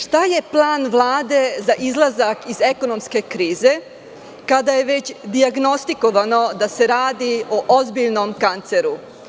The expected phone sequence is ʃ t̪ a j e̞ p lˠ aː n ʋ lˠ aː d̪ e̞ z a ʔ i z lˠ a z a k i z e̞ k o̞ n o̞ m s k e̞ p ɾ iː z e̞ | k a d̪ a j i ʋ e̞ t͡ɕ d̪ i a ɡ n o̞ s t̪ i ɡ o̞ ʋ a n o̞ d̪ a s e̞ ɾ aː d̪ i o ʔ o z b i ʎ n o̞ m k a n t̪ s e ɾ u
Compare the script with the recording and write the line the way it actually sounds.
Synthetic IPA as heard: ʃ t̪ a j e̞ p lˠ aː n ʋ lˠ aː d̪ e̞ z a ʔ i z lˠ a z a k i z e̞ k o̞ n o̞ m s k e̞ k ɾ iː z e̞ | k a d̪ a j e ʋ e̞ t͡ɕ d̪ i a ɡ n o̞ s t̪ i k o̞ ʋ a n o̞ d̪ a s e̞ ɾ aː d̪ i o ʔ o z b i ʎ n o̞ m k a n t̪ s e ɾ u

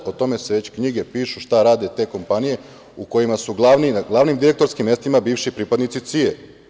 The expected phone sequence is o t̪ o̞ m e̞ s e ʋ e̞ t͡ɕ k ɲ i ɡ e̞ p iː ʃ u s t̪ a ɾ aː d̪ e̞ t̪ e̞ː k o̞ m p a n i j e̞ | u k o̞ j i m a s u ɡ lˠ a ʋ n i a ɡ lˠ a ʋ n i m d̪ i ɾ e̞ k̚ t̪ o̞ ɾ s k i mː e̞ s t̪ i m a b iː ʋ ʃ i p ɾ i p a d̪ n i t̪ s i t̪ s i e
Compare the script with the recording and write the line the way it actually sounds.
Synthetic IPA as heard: o t̪ o̞ m e̞ s e ʋ e̞ t͡ɕ k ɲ i ɡ e̞ p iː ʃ u ʃ t̪ a ɾ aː d̪ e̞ t̪ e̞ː k o̞ m p a n i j e̞ | u k o̞ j i m a s u ɡ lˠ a ʋ n i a ɡ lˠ a ʋ n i m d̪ i ɾ e̞ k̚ t̪ o̞ ɾ s k i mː e̞ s t̪ i m a b iː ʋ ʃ i p ɾ i p a d̪ n i t̪ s i t̪ s i e

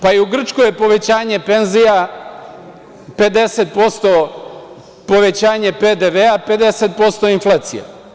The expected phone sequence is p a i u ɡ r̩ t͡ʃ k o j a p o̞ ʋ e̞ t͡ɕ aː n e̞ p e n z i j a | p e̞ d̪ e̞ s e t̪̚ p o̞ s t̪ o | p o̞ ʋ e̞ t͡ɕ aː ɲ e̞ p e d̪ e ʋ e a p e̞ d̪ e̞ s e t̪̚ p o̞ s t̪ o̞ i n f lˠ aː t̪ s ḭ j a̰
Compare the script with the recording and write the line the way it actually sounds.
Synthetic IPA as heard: p a i u ɡ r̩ t͡ʃ k o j e p o̞ ʋ e̞ t͡ɕ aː ɲ e̞ p e n z i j a | p e̞ d̪ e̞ s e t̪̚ p o̞ s t̪ o | p o̞ ʋ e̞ t͡ɕ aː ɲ e̞ p e d̪ e ʋ e a p e̞ d̪ e̞ s e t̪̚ p o̞ s t̪ o̞ i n f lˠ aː t̪ s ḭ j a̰

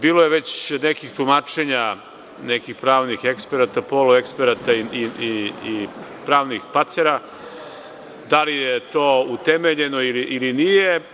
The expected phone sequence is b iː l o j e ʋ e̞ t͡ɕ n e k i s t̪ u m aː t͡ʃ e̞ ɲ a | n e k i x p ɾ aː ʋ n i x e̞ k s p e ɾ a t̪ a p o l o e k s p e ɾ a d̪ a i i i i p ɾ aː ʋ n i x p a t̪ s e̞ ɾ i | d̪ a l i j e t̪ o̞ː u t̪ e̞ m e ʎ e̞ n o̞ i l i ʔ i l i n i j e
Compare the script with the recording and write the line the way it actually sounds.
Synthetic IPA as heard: b iː l o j e ʋ e̞ t͡ɕ n e k i x t̪ u m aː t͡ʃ e̞ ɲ a | n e k i x p ɾ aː ʋ n i x e̞ k s p e ɾ a t̪ a p o l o e k s p e ɾ a t̪ a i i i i p ɾ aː ʋ n i x p a t̪ s e̞ ɾ a | d̪ a l i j e t̪ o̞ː u t̪ e̞ m e ʎ e̞ n o̞ i l i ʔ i l i n i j e

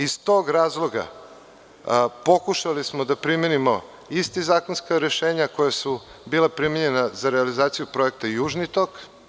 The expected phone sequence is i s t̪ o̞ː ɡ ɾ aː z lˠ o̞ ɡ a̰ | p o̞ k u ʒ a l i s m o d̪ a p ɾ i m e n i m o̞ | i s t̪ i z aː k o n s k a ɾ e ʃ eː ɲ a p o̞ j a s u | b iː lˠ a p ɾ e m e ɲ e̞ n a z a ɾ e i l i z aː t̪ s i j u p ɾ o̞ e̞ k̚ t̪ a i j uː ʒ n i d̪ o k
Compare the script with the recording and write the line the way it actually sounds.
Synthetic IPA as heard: i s t̪ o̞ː ɡ ɾ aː z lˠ o̞ ɡ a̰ | p o̞ k u ʃ a l i s m o d̪ a p ɾ i m e n i m o̞ | i s t̪ i z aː k o n s k a ɾ e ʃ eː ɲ a k o̞ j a s u | b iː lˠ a p ɾ i m e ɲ e̞ n a z a ɾ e a l i z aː t̪ s i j u p ɾ o̞ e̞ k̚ t̪ a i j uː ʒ n i t̪ o k

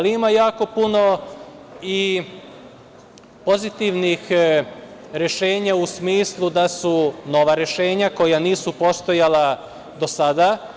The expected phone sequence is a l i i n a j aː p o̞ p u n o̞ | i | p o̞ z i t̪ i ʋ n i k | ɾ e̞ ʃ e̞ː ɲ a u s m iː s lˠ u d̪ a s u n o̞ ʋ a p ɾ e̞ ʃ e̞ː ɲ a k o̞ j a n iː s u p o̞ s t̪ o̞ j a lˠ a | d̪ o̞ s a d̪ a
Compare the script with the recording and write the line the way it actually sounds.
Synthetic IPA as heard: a l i i m a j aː k o̞ p u n o̞ | i | p o̞ z i t̪ i ʋ n i x | ɾ e̞ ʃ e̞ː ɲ a u s m iː s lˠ u d̪ a s u n o̞ ʋ a ɾ e̞ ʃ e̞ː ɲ a k o̞ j a n iː s u p o̞ s t̪ o̞ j a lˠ a | d̪ o̞ s a d̪ a

